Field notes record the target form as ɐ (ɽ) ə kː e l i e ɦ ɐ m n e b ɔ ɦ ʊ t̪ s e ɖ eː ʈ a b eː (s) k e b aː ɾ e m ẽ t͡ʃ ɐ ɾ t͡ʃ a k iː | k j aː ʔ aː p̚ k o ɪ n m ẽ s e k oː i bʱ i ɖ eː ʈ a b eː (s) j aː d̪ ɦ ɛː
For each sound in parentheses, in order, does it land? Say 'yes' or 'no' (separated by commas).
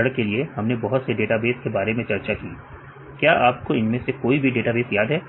yes, yes, yes